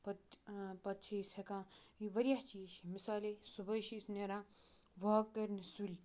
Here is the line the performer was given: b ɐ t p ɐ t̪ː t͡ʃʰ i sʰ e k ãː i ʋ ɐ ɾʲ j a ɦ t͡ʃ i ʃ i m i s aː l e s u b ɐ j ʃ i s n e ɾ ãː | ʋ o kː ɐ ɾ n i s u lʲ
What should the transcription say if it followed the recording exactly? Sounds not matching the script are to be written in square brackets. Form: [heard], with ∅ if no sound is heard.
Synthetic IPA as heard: [p] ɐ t p ɐ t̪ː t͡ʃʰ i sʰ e k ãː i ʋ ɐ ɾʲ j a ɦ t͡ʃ i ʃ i m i s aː l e s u b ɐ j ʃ i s n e ɾ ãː | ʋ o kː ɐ ɾ n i s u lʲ